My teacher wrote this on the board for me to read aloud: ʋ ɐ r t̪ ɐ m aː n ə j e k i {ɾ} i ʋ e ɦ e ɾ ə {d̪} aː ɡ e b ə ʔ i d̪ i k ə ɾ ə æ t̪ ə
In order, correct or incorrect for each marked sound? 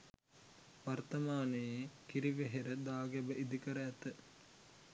correct, correct

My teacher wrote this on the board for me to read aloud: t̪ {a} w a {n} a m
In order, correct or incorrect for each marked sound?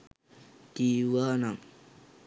incorrect: i, correct

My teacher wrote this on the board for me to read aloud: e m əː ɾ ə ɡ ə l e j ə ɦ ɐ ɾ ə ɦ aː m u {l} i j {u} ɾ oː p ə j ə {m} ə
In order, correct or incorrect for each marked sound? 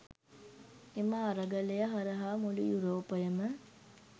correct, correct, correct

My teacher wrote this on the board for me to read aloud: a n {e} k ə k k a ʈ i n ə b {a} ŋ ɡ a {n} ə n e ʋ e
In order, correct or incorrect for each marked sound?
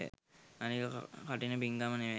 incorrect: i, incorrect: i, incorrect: m

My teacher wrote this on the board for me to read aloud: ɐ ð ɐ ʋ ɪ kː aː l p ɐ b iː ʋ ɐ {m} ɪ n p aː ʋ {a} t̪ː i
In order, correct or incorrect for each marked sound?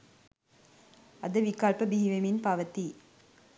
correct, incorrect: ɐ

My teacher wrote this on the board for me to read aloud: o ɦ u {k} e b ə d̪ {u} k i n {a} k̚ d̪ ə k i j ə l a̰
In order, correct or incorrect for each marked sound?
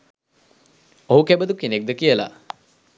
correct, correct, incorrect: e

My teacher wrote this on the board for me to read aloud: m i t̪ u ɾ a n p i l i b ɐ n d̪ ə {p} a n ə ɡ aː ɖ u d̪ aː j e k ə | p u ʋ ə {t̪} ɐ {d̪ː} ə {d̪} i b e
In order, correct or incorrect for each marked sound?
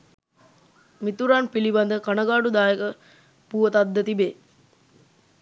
incorrect: k, correct, correct, incorrect: t̪

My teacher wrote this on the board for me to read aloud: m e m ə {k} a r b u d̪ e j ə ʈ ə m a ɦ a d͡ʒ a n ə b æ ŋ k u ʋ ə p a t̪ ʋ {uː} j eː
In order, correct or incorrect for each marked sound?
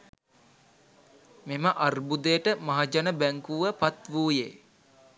incorrect: ʔ, correct

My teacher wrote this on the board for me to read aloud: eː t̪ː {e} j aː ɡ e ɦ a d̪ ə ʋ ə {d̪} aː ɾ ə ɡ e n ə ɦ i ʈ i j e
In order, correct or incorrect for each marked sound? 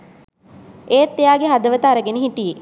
correct, incorrect: t̪

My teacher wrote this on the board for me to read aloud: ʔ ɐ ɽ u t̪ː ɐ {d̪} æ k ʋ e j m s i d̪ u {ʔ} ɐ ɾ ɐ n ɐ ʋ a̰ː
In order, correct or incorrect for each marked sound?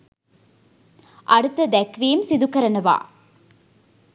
correct, incorrect: k

